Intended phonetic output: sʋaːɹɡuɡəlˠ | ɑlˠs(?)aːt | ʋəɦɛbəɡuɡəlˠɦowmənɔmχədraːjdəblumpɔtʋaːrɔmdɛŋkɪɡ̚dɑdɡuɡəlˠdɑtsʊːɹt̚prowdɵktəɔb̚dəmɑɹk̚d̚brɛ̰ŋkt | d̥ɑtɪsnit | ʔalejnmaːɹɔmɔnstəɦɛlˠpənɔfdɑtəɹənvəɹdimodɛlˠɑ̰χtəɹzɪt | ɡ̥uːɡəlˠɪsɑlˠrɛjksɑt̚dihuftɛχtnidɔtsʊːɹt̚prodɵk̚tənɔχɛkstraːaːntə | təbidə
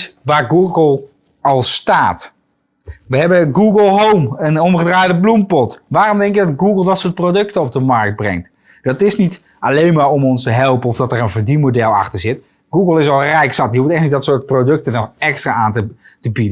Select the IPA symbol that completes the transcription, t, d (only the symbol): t